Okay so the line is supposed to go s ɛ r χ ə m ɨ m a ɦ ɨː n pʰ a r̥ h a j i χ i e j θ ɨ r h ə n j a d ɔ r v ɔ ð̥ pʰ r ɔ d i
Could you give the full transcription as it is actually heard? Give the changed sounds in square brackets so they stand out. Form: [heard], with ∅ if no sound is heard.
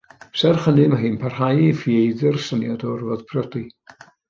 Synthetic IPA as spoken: s ɛ r χ ə [n] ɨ m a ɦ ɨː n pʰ a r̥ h a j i [f] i e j [ð] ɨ r [s] ə n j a d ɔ r v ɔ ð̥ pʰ r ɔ d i